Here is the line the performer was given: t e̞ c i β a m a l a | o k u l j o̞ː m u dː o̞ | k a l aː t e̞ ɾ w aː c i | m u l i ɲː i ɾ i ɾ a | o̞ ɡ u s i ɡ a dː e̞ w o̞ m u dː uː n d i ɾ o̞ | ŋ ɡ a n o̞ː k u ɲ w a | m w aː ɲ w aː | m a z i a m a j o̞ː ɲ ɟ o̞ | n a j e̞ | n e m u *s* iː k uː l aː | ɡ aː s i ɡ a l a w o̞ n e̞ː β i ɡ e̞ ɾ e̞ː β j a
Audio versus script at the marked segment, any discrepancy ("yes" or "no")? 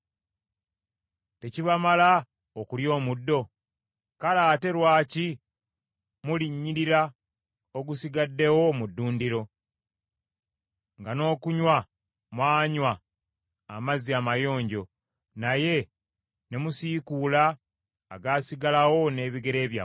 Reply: no